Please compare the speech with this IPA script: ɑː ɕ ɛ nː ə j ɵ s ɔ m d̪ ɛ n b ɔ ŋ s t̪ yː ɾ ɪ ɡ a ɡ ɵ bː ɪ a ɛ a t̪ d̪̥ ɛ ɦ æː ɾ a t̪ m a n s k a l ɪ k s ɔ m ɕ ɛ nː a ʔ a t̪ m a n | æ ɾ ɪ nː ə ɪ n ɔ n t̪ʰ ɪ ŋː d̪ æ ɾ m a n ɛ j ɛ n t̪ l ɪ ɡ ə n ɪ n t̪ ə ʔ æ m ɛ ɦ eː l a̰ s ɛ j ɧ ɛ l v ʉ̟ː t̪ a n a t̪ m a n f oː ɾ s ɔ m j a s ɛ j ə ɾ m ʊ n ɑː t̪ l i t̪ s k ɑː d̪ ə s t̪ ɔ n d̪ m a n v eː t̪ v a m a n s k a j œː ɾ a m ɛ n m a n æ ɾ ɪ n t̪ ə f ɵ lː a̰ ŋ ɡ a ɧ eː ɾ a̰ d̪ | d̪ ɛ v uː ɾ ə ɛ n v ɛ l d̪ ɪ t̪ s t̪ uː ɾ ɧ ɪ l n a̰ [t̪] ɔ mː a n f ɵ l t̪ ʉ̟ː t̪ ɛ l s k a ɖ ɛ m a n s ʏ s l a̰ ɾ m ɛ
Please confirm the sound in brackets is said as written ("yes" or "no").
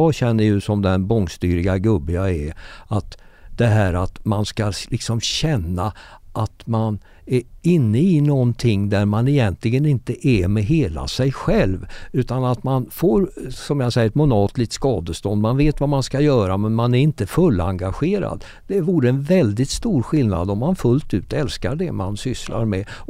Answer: no